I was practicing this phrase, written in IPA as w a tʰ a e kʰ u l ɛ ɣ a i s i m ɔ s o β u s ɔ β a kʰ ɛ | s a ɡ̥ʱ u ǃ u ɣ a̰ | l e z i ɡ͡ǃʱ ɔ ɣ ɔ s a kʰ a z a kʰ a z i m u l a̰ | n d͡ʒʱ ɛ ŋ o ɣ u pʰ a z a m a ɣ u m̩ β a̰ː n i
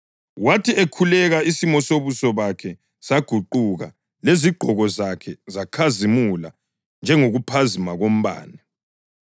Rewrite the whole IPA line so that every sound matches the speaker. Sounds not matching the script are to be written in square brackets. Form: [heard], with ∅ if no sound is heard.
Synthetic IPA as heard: w a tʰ [i] e kʰ u l ɛ ɣ a i s i m ɔ s o β u s ɔ β a kʰ ɛ | s a ɡ̥ʱ u ǃ u ɣ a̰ | l e z i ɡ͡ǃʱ ɔ ɣ ɔ [z] a kʰ [ɛ] z a kʰ a z i m u l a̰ | n d͡ʒʱ ɛ ŋ o ɣ u pʰ a z [i] m a ɣ [o] m̩ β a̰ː n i